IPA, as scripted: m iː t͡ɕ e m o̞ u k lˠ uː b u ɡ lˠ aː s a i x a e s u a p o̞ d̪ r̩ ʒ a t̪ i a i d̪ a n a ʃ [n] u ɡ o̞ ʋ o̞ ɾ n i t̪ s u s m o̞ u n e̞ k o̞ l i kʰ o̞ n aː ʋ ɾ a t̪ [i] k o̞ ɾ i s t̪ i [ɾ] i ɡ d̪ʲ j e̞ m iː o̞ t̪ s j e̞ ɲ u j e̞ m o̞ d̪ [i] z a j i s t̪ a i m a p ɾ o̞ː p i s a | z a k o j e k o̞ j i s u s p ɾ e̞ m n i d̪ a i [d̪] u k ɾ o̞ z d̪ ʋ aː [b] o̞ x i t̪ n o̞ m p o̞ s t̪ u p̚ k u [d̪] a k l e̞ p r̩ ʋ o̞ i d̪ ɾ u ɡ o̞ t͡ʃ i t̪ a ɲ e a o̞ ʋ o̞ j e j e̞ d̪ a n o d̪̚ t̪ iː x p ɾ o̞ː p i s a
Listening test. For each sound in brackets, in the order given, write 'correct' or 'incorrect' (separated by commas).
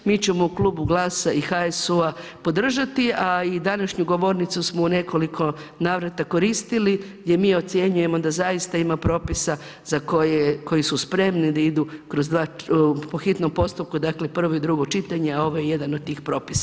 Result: incorrect, incorrect, incorrect, incorrect, correct, incorrect, correct